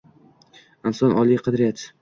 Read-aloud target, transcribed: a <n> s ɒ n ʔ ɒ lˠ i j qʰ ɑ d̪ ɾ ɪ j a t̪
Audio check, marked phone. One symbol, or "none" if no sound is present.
n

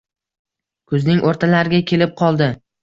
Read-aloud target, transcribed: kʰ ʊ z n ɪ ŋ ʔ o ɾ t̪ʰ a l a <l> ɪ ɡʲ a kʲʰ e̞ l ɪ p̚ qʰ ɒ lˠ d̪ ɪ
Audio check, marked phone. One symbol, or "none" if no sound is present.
ɾ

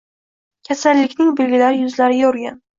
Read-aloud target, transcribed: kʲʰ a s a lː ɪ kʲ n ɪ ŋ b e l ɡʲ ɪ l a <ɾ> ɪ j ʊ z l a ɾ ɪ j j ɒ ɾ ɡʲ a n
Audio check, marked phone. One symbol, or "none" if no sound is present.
ɾ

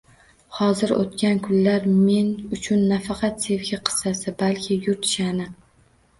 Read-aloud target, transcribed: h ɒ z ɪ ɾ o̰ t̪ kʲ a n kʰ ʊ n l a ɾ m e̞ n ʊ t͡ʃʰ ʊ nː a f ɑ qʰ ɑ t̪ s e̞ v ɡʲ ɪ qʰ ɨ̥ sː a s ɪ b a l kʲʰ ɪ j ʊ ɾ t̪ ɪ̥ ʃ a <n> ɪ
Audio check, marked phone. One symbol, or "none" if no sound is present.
n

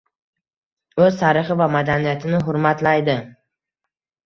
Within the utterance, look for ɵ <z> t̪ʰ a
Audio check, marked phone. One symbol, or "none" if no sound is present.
z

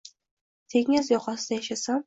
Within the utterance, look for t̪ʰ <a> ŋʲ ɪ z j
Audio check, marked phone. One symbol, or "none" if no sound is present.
e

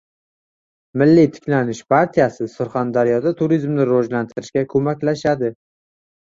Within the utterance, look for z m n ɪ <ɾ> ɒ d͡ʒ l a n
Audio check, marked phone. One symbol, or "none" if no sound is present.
ɾ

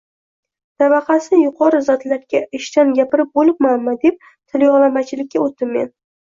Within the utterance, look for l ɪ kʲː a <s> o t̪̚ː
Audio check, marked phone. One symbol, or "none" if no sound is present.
none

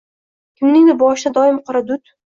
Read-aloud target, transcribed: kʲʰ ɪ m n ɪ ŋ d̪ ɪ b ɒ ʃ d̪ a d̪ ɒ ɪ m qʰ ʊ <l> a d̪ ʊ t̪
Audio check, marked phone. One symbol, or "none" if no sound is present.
ɾ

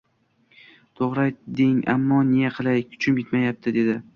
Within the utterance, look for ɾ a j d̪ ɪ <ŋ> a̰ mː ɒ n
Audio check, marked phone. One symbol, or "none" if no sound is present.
ŋ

